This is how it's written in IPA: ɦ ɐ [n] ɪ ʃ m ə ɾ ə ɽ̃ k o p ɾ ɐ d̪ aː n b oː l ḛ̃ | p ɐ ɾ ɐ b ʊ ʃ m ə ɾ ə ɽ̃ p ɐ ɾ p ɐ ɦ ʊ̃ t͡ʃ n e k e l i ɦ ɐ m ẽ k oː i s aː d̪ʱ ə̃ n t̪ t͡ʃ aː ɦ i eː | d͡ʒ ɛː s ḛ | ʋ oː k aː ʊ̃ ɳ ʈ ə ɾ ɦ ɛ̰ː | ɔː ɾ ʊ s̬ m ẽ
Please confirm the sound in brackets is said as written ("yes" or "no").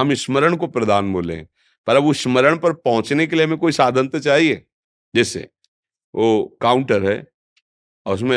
no